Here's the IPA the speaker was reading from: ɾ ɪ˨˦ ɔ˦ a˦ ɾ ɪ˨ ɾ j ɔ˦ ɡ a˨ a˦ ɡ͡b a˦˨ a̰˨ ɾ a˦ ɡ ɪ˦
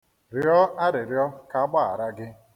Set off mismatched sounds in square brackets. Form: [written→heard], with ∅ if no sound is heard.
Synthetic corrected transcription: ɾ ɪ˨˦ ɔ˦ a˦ ɾ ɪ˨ ɾ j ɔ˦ [ɡ→k] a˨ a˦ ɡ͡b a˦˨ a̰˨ ɾ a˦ ɡ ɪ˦